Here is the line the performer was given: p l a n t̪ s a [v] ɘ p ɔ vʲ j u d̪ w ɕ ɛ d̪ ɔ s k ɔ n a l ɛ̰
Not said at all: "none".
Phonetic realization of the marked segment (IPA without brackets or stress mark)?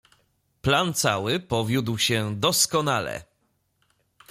w